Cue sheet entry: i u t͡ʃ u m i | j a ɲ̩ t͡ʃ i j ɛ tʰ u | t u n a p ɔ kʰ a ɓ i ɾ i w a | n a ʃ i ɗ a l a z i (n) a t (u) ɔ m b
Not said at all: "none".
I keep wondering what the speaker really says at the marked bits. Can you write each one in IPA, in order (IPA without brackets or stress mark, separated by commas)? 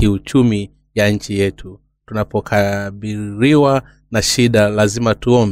m, u